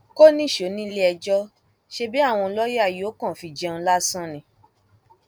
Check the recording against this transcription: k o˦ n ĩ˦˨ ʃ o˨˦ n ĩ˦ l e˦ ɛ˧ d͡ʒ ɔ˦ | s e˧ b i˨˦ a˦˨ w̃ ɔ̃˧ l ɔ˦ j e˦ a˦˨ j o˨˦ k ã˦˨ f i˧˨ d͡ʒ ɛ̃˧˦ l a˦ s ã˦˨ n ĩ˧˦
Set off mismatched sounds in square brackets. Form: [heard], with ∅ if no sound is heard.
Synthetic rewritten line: k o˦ n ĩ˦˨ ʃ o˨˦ n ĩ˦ l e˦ ɛ˧ d͡ʒ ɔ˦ | [ʃ] e˧ b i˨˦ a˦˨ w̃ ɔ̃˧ l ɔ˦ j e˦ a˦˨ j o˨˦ k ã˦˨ f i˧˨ d͡ʒ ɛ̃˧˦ l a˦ s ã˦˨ n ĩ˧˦

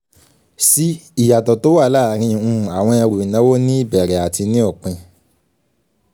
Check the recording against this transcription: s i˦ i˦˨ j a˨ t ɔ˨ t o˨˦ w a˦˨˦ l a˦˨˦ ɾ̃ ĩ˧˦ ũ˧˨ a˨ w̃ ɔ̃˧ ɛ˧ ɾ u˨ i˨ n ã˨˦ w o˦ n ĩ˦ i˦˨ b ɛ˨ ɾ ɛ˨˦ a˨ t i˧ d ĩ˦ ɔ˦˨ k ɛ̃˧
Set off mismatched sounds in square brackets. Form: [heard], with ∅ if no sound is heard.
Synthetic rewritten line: s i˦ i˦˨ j a˨ t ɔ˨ t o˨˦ w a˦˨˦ l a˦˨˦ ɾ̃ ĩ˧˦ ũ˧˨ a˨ w̃ ɔ̃˧ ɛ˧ ɾ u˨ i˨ n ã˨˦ w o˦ n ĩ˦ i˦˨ b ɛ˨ ɾ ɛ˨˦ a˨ t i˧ [n] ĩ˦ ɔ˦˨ [k͡p] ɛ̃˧

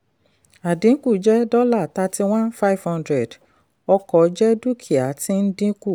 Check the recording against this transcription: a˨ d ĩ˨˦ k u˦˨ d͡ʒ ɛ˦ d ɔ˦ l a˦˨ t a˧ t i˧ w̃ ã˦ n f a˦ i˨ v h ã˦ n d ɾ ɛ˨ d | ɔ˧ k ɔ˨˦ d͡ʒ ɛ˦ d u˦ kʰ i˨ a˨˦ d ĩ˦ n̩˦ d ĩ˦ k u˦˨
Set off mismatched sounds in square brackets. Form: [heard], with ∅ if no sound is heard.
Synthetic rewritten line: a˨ d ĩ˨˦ k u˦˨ d͡ʒ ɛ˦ d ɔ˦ l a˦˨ t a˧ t i˧ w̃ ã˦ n f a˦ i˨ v h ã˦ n d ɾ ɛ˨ d | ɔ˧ k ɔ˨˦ d͡ʒ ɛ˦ d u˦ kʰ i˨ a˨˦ [t] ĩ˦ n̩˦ d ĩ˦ k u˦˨

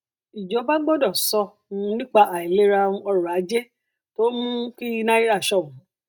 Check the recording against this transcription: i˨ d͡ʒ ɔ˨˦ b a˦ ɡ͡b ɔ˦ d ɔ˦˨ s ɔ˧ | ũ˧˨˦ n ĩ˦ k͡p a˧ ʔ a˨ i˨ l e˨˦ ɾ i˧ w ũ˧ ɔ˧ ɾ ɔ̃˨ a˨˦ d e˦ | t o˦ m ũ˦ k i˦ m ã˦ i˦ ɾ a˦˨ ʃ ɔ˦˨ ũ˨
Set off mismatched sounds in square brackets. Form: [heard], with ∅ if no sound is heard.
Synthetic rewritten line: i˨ d͡ʒ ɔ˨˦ b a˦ ɡ͡b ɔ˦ d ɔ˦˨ s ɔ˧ | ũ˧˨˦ n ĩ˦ k͡p a˧ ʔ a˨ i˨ l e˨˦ ɾ [a˧] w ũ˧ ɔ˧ ɾ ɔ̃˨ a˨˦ [d͡ʒ] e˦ | t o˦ m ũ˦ k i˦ [n] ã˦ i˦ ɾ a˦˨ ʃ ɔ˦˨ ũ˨

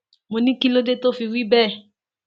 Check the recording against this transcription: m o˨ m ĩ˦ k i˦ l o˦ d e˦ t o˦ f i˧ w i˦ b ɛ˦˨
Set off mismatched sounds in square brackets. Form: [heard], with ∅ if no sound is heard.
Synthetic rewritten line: m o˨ [n] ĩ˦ k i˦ l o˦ d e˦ t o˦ f i˧ w i˦ b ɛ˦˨

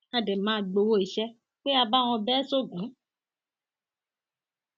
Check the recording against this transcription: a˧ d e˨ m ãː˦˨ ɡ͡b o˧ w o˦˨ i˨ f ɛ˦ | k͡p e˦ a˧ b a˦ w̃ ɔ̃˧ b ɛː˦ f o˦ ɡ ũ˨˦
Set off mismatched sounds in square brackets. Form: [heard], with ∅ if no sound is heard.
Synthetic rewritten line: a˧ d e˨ m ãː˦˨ ɡ͡b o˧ w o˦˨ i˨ [ʃ] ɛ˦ | k͡p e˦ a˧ b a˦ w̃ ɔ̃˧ b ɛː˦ [s] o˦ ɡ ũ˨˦

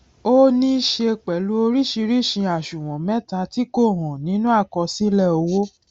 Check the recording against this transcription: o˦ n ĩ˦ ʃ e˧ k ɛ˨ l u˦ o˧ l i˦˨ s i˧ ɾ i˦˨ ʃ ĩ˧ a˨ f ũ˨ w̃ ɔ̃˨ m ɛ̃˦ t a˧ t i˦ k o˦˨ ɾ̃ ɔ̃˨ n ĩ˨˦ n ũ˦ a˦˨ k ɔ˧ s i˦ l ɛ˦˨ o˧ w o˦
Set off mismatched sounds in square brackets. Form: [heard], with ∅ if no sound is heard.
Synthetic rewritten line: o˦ n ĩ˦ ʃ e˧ [k͡p] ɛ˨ l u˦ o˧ [ɾ] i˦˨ [ʃ] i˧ ɾ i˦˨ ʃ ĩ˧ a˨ [ʃ] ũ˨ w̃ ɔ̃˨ m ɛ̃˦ t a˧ t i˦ k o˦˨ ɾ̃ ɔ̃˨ n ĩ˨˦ n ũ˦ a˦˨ k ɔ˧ s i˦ l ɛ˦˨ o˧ w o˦

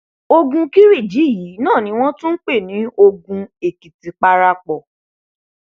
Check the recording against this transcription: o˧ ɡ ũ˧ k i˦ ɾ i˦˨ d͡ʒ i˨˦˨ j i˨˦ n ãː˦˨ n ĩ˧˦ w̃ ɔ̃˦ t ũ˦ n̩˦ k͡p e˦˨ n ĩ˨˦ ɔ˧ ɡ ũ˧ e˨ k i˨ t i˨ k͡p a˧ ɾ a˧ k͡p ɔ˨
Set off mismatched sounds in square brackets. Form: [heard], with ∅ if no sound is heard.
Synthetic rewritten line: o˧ ɡ ũ˧ k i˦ ɾ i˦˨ d͡ʒ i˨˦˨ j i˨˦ n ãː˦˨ n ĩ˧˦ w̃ ɔ̃˦ t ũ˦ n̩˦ k͡p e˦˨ n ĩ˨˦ [o˧] ɡ ũ˧ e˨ k i˨ t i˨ k͡p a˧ ɾ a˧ k͡p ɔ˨

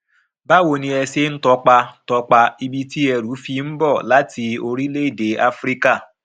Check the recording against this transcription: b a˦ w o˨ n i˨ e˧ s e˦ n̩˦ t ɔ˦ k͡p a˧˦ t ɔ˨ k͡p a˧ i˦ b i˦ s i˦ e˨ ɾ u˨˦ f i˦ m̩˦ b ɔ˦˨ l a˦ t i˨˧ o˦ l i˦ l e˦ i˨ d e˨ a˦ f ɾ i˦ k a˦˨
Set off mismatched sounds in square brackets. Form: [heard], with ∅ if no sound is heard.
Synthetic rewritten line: b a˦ w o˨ n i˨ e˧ s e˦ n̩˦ t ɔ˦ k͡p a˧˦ t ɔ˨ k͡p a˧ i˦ b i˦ [t] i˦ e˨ ɾ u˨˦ f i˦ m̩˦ b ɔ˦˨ l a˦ t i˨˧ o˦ [ɾ] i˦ l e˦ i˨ d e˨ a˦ f ɾ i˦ k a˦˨

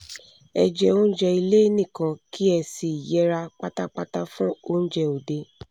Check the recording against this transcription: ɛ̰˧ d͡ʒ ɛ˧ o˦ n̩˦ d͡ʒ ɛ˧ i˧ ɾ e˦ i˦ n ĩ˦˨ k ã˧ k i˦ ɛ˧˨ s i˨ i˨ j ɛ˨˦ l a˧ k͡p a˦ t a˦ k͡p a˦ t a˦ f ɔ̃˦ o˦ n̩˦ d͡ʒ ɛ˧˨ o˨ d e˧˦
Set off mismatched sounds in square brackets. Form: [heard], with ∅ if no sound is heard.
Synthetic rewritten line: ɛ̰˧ d͡ʒ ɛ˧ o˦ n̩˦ d͡ʒ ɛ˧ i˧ [l] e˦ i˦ n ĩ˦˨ k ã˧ k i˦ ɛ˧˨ s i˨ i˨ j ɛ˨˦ [ɾ] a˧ k͡p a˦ t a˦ k͡p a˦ t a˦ f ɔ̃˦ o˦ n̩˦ d͡ʒ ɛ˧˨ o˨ d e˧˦

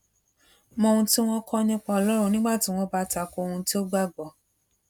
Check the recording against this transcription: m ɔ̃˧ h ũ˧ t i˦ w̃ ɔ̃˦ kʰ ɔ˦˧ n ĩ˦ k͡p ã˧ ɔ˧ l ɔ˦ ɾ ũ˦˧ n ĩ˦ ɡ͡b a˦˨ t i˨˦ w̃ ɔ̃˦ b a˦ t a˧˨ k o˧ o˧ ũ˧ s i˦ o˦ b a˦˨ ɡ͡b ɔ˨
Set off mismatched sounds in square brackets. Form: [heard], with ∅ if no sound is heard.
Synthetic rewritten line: m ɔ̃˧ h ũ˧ t i˦ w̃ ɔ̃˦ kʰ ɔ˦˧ n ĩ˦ k͡p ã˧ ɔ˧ l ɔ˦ ɾ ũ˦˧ n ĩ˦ ɡ͡b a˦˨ t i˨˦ w̃ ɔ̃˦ b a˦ t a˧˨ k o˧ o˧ ũ˧ [t] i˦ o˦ [ɡ͡b] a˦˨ ɡ͡b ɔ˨

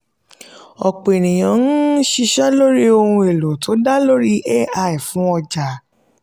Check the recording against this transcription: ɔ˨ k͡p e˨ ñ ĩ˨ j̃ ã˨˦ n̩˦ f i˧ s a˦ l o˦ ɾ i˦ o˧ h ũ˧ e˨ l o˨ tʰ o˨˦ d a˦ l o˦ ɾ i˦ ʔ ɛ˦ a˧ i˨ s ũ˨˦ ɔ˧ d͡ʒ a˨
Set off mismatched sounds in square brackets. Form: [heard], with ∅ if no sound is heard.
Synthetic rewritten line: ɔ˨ k͡p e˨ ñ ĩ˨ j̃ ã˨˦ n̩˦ [ʃ] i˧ [ʃ] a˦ l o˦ ɾ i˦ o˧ h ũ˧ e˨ l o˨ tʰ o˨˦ d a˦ l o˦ ɾ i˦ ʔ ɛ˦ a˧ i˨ [f] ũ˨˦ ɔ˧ d͡ʒ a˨

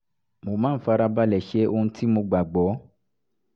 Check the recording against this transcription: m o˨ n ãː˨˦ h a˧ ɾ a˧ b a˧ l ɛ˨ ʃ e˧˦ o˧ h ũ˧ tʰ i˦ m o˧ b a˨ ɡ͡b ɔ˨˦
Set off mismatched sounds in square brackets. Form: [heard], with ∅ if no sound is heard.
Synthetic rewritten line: m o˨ [m] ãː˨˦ [f] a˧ ɾ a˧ b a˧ l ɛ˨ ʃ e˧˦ o˧ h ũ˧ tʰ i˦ m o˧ [ɡ͡b] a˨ ɡ͡b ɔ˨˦

